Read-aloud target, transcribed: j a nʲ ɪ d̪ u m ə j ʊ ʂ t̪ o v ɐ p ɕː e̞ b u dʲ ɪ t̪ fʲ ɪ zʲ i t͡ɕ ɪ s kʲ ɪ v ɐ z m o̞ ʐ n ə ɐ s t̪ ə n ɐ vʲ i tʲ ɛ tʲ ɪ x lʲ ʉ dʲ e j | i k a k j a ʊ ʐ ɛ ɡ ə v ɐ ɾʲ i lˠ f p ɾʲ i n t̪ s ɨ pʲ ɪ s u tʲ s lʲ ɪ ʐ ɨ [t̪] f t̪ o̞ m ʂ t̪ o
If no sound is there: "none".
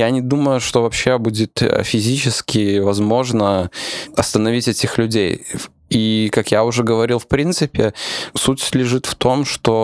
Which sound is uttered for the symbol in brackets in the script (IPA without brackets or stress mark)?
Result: t̪